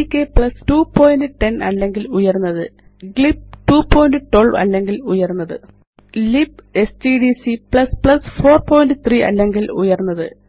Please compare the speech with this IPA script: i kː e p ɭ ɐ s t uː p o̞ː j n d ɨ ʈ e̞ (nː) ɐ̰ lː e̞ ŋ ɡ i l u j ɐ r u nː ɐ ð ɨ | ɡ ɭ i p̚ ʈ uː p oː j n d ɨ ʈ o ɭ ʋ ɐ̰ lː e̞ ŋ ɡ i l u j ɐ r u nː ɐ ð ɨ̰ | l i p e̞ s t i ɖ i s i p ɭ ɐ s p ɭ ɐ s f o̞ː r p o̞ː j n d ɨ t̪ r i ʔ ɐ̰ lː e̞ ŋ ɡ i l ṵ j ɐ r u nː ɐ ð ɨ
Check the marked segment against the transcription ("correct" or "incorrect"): incorrect